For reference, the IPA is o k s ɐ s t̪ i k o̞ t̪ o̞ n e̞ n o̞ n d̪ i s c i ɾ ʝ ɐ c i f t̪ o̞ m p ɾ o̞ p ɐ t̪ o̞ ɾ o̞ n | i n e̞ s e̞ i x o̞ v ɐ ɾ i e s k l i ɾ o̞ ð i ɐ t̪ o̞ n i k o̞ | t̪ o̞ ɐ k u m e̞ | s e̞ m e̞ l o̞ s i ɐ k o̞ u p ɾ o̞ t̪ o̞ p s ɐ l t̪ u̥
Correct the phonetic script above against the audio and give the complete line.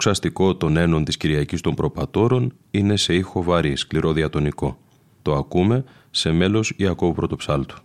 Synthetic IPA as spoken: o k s ɐ s t̪ i k o̞ t̪ o̞ n e̞ n o̞ n t̪ i s c i ɾ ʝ ɐ c i s t̪ o̞ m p ɾ o̞ p ɐ t̪ o̞ ɾ o̞ n | i n e̞ s e̞ i x o̞ v ɐ ɾ i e s k l i ɾ o̞ ð i ɐ t̪ o̞ n i k o̞ | t̪ o̞ ɐ k u m e̞ | s e̞ m e̞ l o̞ s i ɐ k o̞ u p ɾ o̞ t̪ o̞ p s ɐ l t̪ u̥